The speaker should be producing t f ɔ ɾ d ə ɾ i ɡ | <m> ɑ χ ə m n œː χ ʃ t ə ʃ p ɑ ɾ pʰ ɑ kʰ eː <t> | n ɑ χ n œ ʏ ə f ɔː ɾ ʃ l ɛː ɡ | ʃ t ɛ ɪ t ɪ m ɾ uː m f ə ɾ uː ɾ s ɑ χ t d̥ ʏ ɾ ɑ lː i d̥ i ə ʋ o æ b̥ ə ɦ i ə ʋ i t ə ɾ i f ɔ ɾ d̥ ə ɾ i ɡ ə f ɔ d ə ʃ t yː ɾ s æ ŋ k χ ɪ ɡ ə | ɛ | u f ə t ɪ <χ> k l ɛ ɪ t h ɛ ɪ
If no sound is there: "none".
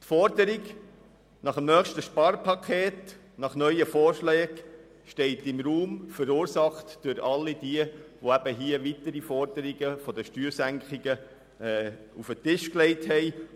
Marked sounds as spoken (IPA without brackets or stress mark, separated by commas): n, t, ʃ